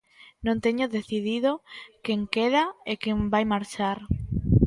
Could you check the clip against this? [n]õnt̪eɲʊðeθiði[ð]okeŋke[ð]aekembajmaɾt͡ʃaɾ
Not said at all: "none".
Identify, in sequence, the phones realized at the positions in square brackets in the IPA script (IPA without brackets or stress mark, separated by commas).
n, ð, ð